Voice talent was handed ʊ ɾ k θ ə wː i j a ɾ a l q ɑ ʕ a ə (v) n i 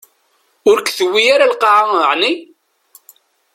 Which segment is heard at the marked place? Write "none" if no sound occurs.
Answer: ʕ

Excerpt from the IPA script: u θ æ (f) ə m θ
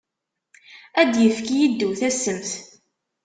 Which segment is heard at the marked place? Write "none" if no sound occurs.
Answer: s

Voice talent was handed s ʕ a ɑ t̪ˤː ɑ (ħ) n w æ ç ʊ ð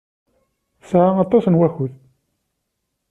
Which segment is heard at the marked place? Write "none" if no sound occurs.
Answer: s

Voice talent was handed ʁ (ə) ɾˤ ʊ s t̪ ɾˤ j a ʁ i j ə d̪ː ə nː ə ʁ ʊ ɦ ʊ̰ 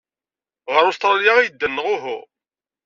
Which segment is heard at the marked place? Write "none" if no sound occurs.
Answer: ə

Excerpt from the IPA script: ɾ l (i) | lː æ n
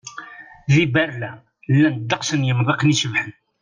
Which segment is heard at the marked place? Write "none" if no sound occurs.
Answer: æ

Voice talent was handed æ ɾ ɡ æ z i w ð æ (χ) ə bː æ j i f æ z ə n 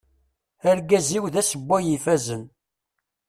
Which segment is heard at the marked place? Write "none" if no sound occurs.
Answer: s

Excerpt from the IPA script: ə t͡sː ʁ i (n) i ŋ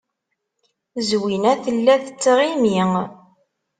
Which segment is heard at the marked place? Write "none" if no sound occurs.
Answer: m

